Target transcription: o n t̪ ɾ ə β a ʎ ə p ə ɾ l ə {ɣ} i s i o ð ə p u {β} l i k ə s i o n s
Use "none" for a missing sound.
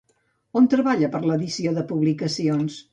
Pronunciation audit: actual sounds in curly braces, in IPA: ð, β

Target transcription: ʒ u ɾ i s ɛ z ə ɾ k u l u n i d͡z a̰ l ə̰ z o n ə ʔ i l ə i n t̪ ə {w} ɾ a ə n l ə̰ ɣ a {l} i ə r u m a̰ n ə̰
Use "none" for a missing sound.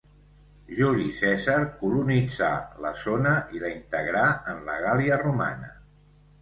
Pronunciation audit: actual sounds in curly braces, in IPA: ɣ, l

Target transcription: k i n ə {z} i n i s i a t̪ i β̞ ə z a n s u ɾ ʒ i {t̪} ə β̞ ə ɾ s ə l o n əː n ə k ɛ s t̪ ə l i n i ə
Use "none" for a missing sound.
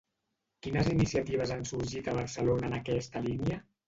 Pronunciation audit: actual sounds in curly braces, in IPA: z, t̪

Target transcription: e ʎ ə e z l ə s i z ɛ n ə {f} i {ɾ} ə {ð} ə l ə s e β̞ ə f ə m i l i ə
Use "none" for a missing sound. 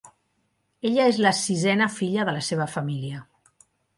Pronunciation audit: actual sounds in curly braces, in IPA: f, ʎ, ð

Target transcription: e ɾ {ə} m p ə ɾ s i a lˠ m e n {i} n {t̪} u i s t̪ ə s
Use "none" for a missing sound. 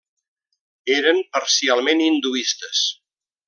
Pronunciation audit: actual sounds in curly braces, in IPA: ə, i, d̪

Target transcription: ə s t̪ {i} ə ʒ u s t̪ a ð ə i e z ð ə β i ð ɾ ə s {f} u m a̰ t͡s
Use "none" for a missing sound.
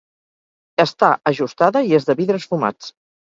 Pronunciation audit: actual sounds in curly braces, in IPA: a, f

